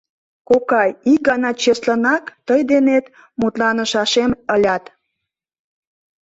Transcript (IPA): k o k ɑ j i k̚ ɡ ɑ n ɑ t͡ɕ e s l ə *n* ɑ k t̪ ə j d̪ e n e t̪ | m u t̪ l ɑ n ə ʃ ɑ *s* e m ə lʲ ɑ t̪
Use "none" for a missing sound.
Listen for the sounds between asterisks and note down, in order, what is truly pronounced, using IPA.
n, ʃ

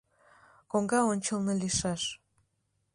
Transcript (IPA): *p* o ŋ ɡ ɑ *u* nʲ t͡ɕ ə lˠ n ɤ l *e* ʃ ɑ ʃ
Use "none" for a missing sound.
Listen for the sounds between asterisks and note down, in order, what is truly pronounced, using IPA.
k, o, i

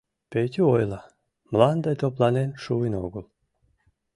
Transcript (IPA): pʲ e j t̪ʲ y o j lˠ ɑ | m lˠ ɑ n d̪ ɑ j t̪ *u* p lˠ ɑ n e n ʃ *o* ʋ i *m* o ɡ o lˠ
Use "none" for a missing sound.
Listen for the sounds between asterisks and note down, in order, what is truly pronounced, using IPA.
o, u, n

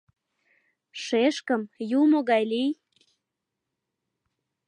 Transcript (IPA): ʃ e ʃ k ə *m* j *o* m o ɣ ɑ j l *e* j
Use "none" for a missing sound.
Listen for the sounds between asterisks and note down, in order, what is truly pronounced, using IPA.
m, u, i

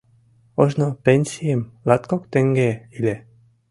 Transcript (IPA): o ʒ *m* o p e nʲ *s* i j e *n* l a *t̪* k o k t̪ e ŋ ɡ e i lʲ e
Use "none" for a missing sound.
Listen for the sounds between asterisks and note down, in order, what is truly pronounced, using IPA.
n, s, m, t̪

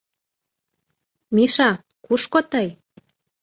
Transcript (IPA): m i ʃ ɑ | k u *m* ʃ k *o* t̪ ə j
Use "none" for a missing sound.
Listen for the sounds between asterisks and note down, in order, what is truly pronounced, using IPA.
none, o

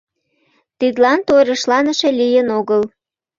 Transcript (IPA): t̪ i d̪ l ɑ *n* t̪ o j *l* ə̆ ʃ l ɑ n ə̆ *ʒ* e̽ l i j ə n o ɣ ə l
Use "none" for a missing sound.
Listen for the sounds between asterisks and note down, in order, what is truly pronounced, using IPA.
n, ɾ, ʃ

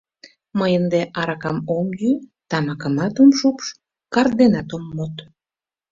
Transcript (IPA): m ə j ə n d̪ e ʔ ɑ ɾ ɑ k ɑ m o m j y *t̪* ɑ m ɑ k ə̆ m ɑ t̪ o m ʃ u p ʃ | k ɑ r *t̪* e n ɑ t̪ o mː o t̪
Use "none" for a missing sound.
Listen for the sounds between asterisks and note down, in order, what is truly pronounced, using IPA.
t̪, d̪

